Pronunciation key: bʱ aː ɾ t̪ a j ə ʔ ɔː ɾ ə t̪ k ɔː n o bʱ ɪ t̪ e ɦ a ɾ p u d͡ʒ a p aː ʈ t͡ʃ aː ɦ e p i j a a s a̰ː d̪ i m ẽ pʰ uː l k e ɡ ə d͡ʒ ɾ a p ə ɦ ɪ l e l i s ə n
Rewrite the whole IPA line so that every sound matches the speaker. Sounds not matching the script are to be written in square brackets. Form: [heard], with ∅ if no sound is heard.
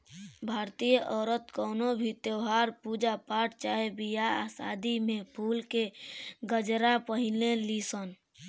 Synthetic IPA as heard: bʱ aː ɾ t̪ [i] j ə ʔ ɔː ɾ ə t̪ k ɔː n o bʱ [i] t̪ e ɦ a ɾ p u d͡ʒ a p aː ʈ t͡ʃ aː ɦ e [b] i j a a s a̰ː d̪ i m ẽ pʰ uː l k e ɡ ə d͡ʒ ɾ a p ə ɦ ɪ l e l i s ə n